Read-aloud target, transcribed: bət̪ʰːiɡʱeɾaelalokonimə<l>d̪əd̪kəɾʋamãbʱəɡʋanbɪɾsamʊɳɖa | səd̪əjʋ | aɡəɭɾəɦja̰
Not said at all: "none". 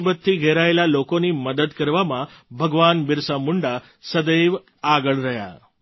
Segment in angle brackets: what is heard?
none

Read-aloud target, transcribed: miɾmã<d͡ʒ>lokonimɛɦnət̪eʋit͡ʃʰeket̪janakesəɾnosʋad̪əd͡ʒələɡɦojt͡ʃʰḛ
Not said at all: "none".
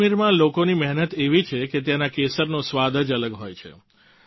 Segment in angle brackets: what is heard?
none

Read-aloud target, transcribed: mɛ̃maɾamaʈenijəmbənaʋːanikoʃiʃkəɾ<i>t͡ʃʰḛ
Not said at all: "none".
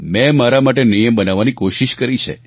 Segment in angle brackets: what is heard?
i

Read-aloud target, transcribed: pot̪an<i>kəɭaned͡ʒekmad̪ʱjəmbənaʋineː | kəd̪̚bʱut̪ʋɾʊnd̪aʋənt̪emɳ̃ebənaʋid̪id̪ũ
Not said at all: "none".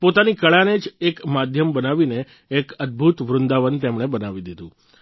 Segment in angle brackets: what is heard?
i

